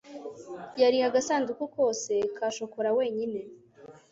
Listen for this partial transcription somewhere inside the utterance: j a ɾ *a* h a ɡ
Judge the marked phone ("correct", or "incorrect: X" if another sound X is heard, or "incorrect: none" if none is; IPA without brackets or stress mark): incorrect: i